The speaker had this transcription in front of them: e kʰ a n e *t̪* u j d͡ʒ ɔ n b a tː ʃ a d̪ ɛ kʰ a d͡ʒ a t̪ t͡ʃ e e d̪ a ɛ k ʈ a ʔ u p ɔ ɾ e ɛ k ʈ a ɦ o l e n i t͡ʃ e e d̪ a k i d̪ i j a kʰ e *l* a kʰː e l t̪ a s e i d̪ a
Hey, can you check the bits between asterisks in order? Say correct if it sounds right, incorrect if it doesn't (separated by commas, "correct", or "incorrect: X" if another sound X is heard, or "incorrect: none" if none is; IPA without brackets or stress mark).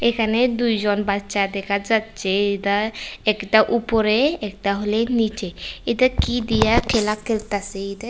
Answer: incorrect: d̪, correct